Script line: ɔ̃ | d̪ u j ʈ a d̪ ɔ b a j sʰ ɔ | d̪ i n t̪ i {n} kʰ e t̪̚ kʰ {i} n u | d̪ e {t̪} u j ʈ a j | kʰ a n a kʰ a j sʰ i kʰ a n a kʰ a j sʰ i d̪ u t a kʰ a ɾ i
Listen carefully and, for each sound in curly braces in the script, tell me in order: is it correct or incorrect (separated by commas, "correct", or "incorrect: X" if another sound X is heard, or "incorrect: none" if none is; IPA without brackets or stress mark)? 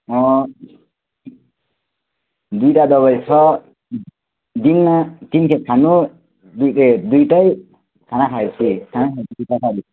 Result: correct, incorrect: a, incorrect: d̪